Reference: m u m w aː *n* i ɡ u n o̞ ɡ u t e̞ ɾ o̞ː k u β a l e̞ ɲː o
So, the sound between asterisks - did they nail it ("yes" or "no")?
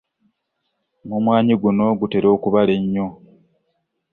no